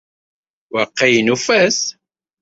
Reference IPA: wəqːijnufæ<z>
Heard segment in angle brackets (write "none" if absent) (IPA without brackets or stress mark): s